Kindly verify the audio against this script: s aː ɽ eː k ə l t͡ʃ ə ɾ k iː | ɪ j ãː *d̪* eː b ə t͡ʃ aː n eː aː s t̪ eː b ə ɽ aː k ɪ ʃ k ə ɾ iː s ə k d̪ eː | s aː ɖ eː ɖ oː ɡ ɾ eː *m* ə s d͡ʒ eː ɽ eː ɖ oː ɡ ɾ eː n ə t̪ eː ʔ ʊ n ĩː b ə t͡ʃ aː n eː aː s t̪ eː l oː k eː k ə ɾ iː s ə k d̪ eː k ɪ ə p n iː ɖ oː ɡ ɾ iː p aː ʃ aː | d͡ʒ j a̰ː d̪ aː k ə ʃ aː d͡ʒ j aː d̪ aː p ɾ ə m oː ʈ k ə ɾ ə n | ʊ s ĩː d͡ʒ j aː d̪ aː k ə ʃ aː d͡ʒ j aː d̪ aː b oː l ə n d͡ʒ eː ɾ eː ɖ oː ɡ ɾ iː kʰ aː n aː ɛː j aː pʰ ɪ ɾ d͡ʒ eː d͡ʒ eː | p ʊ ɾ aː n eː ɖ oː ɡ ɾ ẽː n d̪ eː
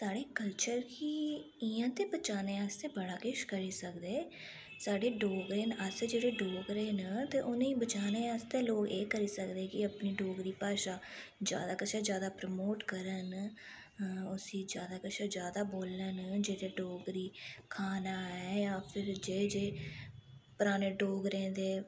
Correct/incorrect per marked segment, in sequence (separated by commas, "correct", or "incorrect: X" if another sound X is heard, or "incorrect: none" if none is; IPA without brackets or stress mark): incorrect: t̪, incorrect: n